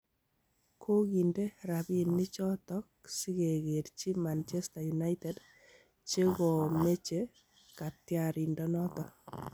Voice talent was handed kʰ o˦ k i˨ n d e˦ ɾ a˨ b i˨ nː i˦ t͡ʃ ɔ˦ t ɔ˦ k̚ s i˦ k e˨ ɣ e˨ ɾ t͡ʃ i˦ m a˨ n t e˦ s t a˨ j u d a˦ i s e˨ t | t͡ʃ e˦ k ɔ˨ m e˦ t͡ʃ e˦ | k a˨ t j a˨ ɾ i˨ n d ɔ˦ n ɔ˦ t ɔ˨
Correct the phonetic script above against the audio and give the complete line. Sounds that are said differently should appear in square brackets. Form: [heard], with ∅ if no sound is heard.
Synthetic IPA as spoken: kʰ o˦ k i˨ n d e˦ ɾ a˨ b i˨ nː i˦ t͡ʃ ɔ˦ t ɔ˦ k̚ s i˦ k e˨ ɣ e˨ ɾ t͡ʃ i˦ m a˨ n [t͡ʃ] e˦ s t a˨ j u [n] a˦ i [t] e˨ [d] | t͡ʃ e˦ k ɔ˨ m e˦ t͡ʃ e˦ | k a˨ t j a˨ ɾ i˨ n d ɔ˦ n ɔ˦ t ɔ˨